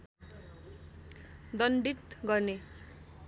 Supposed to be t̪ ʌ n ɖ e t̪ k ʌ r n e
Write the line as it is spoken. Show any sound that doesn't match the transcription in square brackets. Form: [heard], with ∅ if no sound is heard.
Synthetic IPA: [d̪] ʌ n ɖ [i] t̪ [ɡ] ʌ r n e